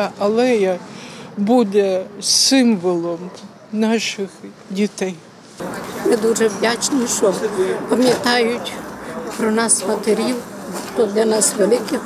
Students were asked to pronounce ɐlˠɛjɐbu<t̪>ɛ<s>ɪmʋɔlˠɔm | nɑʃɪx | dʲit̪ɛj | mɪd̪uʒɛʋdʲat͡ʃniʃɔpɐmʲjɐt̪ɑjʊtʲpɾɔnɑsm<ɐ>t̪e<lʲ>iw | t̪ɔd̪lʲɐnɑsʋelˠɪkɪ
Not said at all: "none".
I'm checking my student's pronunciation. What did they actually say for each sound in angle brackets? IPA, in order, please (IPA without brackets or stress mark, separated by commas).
d̪, s, ɐ, ɾʲ